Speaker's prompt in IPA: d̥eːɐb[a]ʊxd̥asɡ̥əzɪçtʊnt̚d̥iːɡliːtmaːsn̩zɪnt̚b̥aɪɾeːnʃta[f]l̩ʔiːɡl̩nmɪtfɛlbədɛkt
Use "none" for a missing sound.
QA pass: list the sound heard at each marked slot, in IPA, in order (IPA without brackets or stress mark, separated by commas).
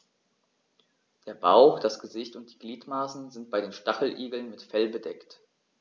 a, χ